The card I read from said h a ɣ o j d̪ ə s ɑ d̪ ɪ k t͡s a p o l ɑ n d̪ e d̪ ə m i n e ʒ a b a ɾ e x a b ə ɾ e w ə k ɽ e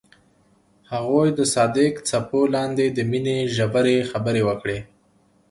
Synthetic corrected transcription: h a ɣ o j d̪ ə s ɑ d̪ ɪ k t͡s a p o l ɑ n d̪ e d̪ ə m i n e ʒ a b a ɾ e x a b ə ɾ e w ə k ɽ e